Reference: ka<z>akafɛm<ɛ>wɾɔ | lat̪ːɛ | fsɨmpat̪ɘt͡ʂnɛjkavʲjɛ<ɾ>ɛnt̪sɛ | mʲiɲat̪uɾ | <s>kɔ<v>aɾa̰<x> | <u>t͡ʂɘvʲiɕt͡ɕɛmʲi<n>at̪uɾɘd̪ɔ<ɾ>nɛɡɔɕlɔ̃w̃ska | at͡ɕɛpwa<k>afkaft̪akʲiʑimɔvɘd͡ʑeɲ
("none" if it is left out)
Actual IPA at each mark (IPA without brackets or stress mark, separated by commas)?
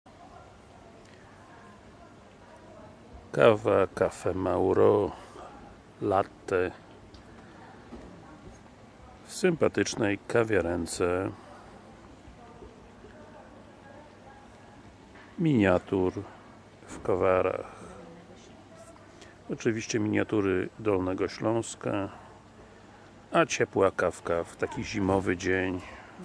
v, a, ɾ, f, v, x, ɔ, ɲ, l, k